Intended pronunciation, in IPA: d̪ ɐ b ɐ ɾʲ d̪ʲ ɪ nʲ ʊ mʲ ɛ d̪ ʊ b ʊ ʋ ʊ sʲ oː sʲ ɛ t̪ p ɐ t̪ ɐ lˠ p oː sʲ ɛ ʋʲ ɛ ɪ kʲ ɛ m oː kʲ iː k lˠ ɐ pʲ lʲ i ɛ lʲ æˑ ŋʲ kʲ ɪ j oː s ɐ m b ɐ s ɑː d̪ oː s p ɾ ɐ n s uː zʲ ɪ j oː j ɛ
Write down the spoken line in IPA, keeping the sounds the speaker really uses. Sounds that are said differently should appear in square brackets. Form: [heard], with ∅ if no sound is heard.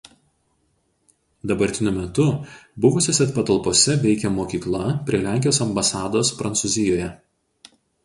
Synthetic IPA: d̪ ɐ b ɐ ɾʲ [t̪ʲ] ɪ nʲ ʊ mʲ ɛ [t̪] ʊ b ʊ ʋ ʊ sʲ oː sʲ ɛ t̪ p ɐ t̪ ɐ lˠ p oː sʲ ɛ ʋʲ ɛ ɪ kʲ ɛ m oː kʲ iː k lˠ ɐ pʲ [ɾʲ] i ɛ lʲ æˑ ŋʲ kʲ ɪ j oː s ɐ m b ɐ s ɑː d̪ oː s p ɾ ɐ n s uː zʲ ɪ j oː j ɛ